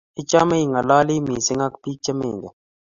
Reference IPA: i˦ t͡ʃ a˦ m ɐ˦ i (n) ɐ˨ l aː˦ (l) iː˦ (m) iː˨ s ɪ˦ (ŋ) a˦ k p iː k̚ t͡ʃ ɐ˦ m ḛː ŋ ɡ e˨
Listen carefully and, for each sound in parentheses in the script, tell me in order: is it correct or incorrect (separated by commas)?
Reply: incorrect, correct, correct, correct